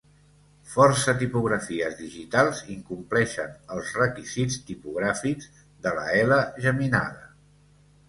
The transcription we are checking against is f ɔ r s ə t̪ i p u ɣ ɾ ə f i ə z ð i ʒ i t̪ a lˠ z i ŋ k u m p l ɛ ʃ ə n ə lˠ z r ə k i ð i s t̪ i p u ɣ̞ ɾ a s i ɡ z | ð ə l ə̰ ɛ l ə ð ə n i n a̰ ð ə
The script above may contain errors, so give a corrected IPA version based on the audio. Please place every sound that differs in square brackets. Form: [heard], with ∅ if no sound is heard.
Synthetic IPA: f ɔ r s ə t̪ i p u ɣ ɾ ə f i ə z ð i ʒ i t̪ a lˠ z i ŋ k u m p l ɛ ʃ ə n ə lˠ z r ə k i [z] i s t̪ i p u ɣ̞ ɾ a [f] i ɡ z | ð ə l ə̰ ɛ l ə [ʒ] ə [m] i n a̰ ð ə